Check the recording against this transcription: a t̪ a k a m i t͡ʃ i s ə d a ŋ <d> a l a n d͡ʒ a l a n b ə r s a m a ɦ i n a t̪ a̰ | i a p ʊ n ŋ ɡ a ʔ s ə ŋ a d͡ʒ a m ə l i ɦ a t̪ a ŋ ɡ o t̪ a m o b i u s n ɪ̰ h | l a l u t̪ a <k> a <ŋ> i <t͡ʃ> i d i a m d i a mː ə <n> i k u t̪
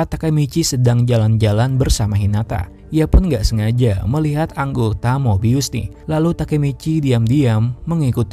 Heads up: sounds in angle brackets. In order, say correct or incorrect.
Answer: incorrect: d͡ʒ, correct, incorrect: m, correct, incorrect: ŋ

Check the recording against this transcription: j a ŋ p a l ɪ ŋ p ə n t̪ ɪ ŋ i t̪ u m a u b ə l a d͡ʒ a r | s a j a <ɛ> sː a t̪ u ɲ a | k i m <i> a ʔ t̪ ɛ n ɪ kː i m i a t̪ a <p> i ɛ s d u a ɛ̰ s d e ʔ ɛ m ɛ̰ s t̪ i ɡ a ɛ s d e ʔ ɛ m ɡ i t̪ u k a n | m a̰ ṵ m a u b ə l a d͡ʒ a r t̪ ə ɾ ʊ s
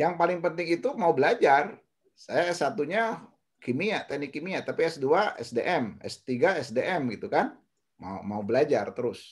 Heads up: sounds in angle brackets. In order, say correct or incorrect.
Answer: correct, correct, correct

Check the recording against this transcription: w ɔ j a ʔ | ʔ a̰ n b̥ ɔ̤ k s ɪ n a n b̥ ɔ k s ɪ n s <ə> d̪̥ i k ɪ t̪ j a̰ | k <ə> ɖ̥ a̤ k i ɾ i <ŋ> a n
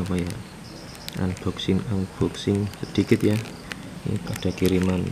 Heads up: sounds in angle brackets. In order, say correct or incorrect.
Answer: correct, incorrect: a, incorrect: m

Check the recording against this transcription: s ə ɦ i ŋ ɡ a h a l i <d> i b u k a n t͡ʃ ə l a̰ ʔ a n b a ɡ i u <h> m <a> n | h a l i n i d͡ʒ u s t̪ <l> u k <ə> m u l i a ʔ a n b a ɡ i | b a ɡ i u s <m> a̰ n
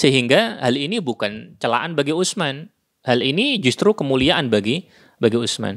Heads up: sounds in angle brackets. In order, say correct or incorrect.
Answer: incorrect: n, incorrect: s, correct, incorrect: ɾ, correct, correct

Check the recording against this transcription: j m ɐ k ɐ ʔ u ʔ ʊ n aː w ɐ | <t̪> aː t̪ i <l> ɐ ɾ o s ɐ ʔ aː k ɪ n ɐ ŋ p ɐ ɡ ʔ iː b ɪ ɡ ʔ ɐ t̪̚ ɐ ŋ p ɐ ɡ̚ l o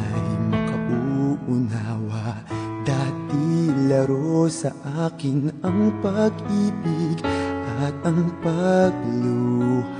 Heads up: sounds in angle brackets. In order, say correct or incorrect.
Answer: incorrect: d̪, correct

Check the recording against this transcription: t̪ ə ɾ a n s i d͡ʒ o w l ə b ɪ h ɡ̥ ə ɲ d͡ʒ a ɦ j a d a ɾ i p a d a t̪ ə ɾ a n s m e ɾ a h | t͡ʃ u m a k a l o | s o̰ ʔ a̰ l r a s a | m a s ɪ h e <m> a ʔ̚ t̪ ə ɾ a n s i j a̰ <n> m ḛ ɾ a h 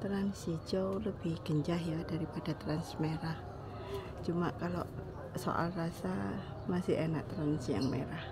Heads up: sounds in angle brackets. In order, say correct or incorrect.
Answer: incorrect: n, incorrect: ŋ

